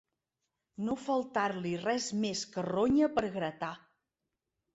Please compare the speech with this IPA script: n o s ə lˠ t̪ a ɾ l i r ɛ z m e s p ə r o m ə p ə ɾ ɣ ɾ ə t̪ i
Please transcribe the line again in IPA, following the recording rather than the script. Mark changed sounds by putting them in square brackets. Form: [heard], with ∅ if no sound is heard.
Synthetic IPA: n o [f] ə lˠ t̪ a ɾ l i r ɛ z m e s [k] ə r o [ɲ] ə p ə ɾ ɣ ɾ ə t̪ [a]